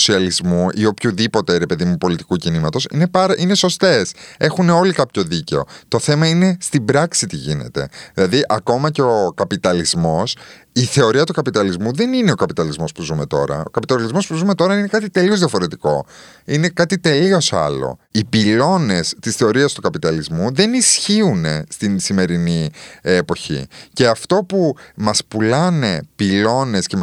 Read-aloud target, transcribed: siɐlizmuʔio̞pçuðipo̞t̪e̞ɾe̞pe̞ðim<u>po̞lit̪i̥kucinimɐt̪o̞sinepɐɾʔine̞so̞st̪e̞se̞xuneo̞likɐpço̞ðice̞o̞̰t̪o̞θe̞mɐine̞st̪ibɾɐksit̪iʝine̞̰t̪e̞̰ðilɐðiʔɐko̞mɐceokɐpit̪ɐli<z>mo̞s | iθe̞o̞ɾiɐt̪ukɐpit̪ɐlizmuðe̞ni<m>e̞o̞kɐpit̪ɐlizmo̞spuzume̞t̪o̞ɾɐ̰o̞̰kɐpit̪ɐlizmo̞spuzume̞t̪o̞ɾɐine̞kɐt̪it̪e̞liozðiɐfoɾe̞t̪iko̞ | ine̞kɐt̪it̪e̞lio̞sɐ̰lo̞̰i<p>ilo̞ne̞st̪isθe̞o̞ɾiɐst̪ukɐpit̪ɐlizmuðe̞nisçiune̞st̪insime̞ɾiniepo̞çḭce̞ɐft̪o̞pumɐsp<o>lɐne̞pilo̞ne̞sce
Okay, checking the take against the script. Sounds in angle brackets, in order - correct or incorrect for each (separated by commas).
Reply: correct, correct, incorrect, correct, incorrect